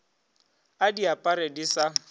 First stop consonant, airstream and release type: plain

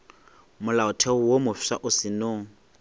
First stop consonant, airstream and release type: aspirated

